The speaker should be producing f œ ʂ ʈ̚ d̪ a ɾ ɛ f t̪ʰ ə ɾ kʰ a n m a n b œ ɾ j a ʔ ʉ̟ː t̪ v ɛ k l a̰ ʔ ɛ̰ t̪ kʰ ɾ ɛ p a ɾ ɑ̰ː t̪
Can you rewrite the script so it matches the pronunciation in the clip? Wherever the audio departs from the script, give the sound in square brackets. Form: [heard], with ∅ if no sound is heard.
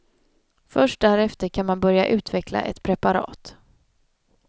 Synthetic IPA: f œ ʂ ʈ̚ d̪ [æ] ɾ ɛ f [t̪] ə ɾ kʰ a n m a n b œ ɾ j a ʔ ʉ̟ː t̪ v ɛ k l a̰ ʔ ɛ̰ t̪ [pʰ] ɾ ɛ p a ɾ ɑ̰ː t̪